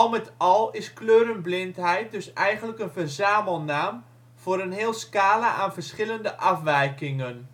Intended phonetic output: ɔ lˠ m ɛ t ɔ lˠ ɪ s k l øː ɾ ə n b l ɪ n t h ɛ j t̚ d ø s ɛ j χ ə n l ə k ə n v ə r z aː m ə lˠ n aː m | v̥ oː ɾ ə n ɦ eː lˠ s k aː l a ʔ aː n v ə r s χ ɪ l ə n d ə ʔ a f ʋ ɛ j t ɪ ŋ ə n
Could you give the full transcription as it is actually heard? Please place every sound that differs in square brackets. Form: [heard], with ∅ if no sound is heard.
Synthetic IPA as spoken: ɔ lˠ m ɛ t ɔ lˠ ɪ s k l øː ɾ ə n b l ɪ n t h ɛ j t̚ d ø s ɛ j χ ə n l ə k ə n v ə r z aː m ə lˠ n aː m | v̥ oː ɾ ə n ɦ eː lˠ s k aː l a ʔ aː n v ə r s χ ɪ l ə n d ə ʔ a f ʋ ɛ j [k] ɪ ŋ ə n